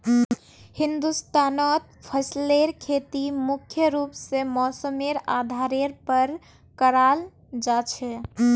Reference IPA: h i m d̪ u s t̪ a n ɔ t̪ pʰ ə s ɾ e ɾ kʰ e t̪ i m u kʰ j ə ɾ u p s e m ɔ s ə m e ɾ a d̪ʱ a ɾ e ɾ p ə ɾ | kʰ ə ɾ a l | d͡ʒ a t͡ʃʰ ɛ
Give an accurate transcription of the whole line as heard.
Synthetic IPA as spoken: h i n d̪ u s t̪ a n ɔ t̪ pʰ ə s l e ɾ kʰ e t̪ i m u kʰ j ə ɾ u p s e m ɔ s ə m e ɾ a d̪ʱ a ɾ e ɾ p ə ɾ | k ə ɾ a l | d͡ʒ a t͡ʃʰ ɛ